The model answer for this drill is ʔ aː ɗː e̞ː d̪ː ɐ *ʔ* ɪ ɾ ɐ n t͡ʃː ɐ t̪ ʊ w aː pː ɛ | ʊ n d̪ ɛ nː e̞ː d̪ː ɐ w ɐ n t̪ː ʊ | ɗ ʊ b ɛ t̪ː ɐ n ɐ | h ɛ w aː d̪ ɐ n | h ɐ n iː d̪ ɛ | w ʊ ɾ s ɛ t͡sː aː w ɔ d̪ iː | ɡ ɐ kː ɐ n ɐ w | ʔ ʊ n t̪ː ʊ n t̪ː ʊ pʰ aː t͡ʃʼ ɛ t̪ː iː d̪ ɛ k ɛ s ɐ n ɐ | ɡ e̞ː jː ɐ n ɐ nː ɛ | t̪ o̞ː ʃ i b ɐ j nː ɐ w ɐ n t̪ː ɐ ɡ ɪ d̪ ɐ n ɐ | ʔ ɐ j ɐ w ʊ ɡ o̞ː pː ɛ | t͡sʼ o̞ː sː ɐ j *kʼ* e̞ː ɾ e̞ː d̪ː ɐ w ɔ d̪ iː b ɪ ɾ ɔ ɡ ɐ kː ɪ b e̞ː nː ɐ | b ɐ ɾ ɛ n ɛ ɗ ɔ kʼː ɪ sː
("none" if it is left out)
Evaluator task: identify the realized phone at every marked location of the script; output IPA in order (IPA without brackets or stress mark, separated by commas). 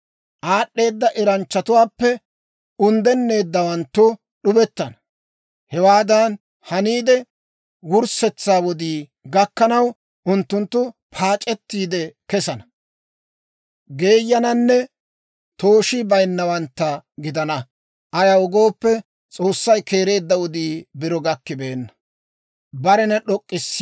ʔ, k